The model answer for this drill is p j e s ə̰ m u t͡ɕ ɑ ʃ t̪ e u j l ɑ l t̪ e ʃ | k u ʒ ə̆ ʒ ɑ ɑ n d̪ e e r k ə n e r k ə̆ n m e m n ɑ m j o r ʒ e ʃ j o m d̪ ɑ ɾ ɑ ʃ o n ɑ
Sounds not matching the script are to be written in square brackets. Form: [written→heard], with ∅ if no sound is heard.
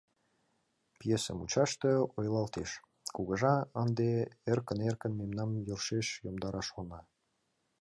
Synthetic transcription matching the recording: p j e s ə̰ m u t͡ɕ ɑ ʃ t̪ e [u→o] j l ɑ l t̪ e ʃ | k u [ʒ→ɣ] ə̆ ʒ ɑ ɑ n d̪ e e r k ə n e r k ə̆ n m e m n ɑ m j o r [ʒ→ʃ] e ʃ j o m d̪ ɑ ɾ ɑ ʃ o n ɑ